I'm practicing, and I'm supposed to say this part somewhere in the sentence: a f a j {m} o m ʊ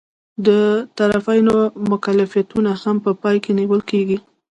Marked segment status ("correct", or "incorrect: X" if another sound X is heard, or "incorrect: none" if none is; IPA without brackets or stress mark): incorrect: n